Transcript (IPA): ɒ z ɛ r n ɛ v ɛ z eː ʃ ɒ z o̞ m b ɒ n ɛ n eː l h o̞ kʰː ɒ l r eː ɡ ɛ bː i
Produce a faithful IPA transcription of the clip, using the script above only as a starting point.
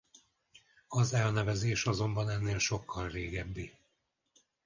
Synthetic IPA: ɒ z ɛ l n ɛ v ɛ z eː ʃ ɒ z o̞ m b ɒ n ɛ nː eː l ʃ o̞ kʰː ɒ l r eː ɡ ɛ bː i